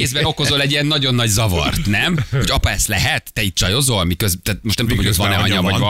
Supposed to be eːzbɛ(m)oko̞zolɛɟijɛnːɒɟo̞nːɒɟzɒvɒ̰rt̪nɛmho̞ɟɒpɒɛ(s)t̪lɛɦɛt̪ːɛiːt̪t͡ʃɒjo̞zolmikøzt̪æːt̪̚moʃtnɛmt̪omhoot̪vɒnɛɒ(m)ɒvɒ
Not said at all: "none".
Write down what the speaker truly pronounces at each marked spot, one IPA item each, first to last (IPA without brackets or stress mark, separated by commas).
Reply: n, s, ɲ